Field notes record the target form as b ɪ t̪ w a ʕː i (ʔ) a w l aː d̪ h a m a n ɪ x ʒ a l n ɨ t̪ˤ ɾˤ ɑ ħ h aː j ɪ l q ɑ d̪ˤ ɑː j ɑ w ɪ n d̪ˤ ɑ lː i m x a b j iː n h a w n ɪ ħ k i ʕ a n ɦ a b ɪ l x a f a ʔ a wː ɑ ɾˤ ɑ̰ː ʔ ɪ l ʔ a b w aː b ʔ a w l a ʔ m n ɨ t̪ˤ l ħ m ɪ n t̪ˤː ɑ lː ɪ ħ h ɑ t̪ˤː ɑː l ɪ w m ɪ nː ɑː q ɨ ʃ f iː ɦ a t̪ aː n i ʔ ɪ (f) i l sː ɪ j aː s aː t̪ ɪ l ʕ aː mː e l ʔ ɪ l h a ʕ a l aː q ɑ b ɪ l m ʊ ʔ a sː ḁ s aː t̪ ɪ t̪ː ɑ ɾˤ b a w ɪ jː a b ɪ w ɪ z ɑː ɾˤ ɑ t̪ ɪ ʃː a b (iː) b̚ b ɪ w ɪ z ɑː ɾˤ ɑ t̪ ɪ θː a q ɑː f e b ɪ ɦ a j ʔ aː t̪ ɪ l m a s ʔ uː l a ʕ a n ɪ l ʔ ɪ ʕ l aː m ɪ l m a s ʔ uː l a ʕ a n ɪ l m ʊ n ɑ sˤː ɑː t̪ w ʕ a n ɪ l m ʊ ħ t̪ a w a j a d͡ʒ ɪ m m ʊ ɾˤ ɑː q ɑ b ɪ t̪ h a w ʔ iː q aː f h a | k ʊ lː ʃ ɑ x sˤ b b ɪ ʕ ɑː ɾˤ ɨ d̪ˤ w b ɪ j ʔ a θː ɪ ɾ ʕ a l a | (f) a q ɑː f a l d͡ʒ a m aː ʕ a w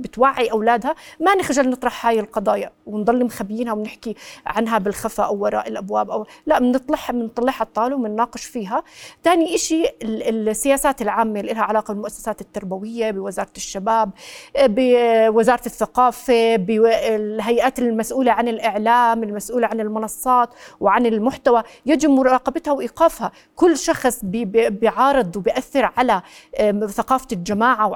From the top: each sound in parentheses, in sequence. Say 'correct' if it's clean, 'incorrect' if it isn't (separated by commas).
correct, incorrect, incorrect, incorrect